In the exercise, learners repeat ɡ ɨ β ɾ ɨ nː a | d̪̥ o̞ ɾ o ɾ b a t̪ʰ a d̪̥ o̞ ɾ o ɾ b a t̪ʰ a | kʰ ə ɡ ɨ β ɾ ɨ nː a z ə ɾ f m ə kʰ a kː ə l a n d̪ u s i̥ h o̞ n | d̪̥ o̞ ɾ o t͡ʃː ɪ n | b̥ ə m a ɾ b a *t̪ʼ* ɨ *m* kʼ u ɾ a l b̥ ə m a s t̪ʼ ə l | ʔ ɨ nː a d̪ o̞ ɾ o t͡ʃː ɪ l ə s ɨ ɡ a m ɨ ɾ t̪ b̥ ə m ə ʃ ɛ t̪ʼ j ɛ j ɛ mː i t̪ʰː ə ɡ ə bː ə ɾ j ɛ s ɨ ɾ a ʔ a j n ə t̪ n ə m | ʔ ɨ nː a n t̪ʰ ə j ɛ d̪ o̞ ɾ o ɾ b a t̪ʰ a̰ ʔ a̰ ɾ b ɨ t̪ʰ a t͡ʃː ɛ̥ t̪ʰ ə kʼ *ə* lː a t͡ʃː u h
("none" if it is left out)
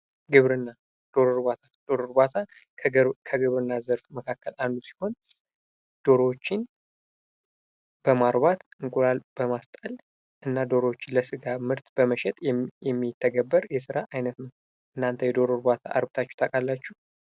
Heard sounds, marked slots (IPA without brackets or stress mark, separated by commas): t̪, ŋ, a